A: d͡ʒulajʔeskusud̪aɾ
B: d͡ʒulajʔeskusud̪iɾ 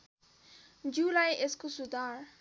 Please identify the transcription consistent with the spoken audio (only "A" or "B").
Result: A